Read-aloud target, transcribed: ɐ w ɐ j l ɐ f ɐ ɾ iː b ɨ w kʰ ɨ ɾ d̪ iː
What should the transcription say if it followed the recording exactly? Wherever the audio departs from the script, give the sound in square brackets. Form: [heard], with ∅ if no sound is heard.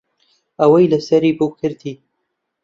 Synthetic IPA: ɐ w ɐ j l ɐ [s] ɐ ɾ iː b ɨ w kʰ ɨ ɾ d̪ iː